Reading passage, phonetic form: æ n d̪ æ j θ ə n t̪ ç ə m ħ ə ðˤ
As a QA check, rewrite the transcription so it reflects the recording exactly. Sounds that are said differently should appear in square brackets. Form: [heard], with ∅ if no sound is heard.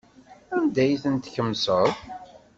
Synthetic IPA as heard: æ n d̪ æ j θ ə n t̪ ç ə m [s] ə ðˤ